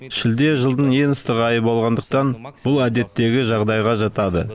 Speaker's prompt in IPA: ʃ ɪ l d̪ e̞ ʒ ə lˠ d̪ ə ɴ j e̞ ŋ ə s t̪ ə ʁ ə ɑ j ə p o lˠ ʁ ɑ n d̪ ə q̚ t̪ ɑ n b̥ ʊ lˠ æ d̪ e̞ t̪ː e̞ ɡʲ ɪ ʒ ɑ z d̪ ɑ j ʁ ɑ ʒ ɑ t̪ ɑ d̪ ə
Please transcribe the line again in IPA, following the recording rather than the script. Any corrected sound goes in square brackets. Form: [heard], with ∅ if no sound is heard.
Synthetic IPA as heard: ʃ ɪ l d̪ e̞ ʒ ə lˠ d̪ ə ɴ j e̞ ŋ ə s t̪ ə ʁ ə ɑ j ə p o lˠ ʁ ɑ n d̪ ə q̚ t̪ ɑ n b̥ ʊ lˠ æ d̪ e̞ t̪ː e̞ ɡʲ ɪ ʒ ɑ [ʁ] d̪ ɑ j ʁ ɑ ʒ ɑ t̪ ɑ d̪ ə